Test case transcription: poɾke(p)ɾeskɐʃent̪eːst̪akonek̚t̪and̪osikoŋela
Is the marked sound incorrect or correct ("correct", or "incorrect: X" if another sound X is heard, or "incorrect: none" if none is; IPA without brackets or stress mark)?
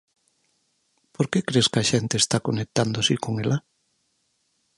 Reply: incorrect: k